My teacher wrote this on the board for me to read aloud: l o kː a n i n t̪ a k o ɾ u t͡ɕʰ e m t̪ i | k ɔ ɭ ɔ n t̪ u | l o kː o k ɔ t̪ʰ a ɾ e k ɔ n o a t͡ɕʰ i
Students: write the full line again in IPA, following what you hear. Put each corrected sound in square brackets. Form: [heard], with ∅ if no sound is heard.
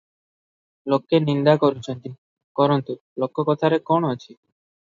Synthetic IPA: l o kː [e] n i n [d̪] a k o ɾ u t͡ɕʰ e [n] t̪ i | k ɔ [ɾ] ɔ n t̪ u | l o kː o k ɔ t̪ʰ a ɾ e k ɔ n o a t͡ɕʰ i